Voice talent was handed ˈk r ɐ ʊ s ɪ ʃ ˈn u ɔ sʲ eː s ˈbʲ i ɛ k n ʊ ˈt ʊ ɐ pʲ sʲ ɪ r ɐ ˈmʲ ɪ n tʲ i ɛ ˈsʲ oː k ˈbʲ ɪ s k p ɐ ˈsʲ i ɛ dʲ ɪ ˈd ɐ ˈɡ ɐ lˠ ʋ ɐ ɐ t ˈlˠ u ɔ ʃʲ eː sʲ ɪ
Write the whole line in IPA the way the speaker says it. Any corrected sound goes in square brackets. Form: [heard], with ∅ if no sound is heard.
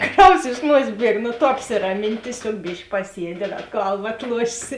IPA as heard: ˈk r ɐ ʊ s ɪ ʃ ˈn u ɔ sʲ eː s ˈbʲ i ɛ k n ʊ ˈt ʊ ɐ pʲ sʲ ɪ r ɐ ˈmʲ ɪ n tʲ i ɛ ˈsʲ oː k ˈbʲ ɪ [ʃ] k p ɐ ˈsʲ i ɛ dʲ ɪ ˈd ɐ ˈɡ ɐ lˠ ʋ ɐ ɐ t ˈlˠ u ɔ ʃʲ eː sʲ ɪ